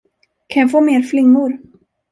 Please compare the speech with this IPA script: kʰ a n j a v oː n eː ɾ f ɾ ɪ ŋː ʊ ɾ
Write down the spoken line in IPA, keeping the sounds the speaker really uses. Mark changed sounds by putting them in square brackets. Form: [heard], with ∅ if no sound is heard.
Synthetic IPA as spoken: kʰ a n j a [f] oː [m] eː ɾ f [l] ɪ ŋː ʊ ɾ